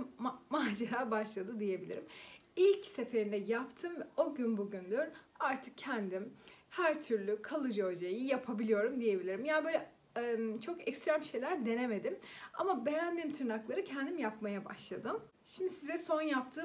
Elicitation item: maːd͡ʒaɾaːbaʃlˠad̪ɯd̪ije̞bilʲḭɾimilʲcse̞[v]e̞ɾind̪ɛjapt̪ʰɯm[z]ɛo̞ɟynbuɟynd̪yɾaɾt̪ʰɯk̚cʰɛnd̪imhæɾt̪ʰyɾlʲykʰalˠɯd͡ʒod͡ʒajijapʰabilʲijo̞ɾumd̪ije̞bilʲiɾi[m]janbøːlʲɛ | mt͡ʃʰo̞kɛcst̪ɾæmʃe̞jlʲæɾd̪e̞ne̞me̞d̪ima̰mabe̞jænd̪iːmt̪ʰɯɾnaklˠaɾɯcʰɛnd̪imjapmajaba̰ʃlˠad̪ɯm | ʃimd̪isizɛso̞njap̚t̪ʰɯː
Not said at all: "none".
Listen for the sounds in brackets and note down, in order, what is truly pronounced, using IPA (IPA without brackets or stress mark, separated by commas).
f, v, m